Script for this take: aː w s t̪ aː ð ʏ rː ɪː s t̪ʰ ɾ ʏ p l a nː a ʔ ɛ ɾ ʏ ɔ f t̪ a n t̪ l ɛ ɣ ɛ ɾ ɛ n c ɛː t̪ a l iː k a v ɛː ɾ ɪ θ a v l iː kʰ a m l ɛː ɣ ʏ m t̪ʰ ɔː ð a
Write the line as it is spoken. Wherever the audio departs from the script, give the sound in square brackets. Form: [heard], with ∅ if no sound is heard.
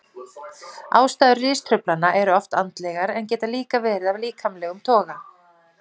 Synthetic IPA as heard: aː w s t̪ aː ð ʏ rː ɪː s t̪ʰ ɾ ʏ p l a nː a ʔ ɛ ɾ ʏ ɔ f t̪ a n t̪ l ɛ ɣ [a] ɾ ɛ n c ɛː t̪ a l iː k a v ɛː ɾ ɪ [ð] a v l iː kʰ a m l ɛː ɣ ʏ m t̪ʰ ɔː [ɣ] a